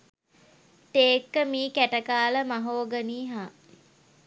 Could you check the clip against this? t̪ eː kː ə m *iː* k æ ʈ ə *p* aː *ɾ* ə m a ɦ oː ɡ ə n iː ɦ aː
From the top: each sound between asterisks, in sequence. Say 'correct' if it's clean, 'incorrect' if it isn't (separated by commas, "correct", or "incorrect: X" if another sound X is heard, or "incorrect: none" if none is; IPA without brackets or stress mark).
correct, incorrect: k, incorrect: l